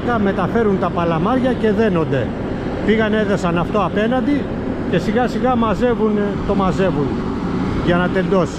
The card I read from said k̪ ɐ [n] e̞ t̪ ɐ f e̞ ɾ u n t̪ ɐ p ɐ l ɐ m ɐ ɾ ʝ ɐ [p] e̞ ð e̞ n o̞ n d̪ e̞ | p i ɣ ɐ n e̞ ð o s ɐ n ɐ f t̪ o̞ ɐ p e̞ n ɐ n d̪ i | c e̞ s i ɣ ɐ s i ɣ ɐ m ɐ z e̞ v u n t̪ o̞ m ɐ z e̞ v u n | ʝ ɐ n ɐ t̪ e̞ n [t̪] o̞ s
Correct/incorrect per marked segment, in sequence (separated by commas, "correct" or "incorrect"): incorrect, incorrect, incorrect